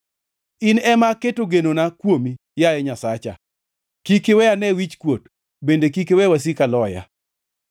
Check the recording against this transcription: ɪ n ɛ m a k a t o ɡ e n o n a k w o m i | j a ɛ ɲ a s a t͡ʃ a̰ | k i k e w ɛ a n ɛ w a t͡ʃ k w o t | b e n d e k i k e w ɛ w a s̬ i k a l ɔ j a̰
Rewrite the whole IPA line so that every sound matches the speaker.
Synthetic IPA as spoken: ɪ n ɛ m a k e t o ɡ e n o n a k w o m i | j a ɛ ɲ a s a t͡ʃ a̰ | k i k e w ɛ a n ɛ w i t͡ʃ k w o t | b e n d e k i k e w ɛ w a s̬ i k a l ɔ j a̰